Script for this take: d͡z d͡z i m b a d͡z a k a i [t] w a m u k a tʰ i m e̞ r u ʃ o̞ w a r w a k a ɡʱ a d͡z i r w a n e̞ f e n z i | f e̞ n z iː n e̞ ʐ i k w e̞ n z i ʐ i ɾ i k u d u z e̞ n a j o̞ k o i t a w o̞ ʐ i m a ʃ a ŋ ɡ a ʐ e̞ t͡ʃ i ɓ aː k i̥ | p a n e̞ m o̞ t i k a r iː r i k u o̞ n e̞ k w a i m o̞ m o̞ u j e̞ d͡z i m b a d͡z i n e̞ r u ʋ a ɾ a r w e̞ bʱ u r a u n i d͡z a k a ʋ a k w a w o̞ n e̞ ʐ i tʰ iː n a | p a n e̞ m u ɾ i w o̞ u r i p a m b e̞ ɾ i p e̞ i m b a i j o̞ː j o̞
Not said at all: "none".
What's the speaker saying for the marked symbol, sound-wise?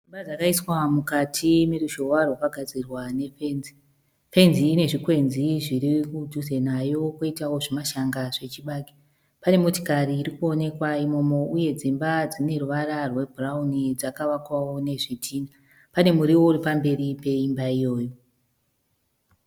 s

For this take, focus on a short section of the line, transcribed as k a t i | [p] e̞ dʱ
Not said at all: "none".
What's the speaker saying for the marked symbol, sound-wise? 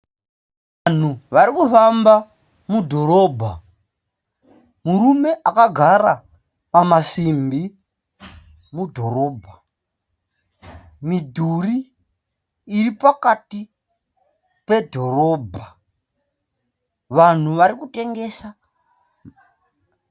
p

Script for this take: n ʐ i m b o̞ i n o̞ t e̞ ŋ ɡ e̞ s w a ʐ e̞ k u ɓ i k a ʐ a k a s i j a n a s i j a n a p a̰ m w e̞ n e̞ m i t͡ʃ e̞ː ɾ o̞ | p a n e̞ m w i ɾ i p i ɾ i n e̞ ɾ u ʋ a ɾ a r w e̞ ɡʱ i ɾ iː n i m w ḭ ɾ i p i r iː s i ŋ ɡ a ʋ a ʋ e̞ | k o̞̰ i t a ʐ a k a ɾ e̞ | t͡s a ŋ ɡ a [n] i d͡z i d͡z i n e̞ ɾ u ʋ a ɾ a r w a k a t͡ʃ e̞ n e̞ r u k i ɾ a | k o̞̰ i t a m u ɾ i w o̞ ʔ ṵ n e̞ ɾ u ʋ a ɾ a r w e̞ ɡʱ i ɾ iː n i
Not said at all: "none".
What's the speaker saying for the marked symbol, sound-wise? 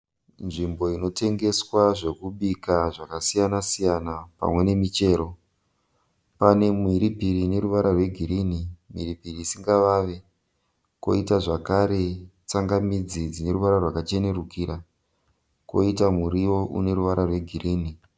m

